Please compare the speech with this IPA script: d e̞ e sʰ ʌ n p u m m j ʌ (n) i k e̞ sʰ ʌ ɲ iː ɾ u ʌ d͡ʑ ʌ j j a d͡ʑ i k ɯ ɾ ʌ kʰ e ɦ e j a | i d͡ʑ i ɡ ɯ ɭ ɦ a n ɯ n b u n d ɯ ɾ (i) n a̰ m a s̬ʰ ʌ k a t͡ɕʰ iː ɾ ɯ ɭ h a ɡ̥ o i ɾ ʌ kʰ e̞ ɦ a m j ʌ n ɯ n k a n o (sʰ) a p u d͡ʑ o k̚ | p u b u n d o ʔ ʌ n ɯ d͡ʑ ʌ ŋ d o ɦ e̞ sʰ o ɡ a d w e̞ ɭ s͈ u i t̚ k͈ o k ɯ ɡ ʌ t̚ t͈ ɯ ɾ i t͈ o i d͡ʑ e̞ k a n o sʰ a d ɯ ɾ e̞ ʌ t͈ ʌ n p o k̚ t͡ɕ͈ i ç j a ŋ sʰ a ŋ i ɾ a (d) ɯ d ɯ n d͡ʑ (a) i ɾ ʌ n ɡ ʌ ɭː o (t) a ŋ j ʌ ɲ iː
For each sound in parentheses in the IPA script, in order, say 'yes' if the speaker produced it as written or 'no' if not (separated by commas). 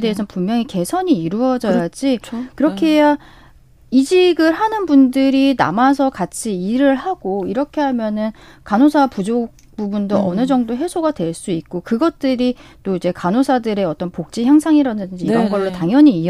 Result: no, yes, yes, yes, no, yes